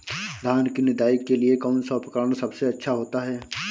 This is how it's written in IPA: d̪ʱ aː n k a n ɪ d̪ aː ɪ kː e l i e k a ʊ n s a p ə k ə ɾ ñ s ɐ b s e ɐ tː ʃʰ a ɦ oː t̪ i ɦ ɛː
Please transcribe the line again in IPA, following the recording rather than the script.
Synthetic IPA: d̪ʱ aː n k i n ɪ d̪ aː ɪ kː e l i e k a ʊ n s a p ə k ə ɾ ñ s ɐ b s e ɐ tː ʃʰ a ɦ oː t̪ a ɦ ɛː